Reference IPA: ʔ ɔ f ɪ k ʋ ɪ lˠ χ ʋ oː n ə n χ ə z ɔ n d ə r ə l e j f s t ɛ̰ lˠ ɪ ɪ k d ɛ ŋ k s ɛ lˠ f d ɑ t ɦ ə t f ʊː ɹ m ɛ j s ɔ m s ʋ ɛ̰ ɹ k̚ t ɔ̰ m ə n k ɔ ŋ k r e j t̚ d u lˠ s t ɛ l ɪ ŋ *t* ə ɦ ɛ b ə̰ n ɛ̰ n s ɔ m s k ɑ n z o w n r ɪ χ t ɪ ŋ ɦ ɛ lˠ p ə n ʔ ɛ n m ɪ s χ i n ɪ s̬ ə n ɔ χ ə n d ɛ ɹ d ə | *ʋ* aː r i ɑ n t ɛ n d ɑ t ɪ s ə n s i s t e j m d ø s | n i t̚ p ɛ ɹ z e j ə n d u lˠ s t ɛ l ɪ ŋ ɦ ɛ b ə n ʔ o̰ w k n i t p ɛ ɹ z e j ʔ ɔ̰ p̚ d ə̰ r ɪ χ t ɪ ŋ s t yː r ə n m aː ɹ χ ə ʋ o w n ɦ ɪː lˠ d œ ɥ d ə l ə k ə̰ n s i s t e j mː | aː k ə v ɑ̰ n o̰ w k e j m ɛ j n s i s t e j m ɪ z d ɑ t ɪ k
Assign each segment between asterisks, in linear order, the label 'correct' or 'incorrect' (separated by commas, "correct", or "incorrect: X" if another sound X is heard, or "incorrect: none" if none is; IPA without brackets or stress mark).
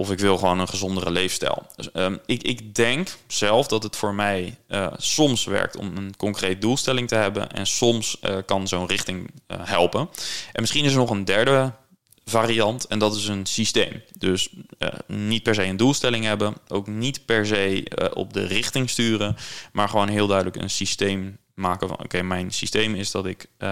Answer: correct, incorrect: v